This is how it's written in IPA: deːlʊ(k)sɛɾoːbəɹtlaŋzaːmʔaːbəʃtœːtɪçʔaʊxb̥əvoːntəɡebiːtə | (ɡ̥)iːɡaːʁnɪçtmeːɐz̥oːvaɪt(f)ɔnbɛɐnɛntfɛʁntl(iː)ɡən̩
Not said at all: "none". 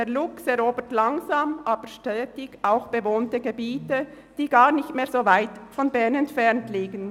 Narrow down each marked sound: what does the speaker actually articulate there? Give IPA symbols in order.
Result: k, d̥, f, iː

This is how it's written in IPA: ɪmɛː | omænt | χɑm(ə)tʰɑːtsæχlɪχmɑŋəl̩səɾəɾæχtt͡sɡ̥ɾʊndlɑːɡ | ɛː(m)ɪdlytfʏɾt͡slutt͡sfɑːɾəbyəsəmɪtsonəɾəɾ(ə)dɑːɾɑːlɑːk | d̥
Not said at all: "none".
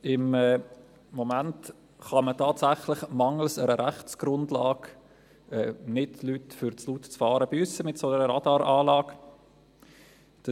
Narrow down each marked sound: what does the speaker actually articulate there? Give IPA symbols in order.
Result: ə, n, ɑ

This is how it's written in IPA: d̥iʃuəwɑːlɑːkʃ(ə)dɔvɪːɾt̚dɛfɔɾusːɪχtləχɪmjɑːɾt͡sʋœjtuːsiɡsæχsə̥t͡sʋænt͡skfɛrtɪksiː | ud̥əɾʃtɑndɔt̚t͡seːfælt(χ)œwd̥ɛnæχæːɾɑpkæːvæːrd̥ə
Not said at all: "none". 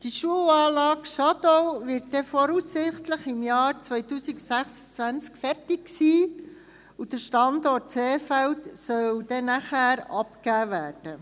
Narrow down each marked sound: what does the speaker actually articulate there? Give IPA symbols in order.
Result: ɑ, s

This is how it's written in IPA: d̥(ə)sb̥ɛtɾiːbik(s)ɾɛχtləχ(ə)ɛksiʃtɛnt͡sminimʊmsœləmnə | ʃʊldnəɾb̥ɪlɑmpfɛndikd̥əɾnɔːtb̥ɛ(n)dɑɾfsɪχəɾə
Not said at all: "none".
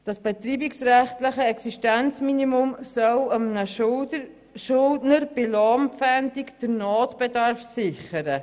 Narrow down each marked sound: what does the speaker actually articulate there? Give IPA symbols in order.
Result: ɑ, s, ə, none

